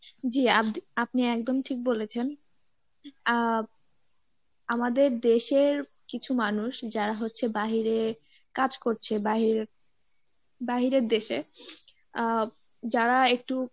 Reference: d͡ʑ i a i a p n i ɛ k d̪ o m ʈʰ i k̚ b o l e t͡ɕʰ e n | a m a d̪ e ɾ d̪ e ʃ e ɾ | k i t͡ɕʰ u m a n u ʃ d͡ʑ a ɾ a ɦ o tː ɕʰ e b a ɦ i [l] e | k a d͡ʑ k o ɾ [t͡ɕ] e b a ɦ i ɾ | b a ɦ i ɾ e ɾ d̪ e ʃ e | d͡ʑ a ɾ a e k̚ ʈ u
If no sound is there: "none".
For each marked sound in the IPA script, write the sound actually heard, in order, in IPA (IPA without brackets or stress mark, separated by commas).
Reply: ɾ, t͡ɕʰ